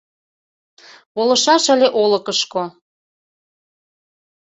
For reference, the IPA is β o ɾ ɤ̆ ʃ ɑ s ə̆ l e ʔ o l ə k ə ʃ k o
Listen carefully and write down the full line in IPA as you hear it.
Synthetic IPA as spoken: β o l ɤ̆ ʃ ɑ ʃ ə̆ l e ʔ o l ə k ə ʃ k o